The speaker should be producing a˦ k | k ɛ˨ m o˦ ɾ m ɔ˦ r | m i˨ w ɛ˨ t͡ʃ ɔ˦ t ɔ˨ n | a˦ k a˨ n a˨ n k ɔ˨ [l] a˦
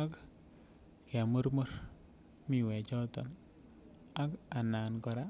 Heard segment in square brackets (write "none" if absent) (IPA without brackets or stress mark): ɾ